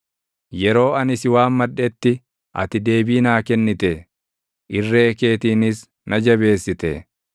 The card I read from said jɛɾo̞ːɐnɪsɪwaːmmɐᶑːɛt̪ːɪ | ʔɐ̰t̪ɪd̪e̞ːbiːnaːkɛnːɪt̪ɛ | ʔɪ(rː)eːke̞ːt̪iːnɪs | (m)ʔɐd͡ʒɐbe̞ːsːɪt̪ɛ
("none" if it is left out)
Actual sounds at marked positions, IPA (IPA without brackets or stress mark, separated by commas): rː, n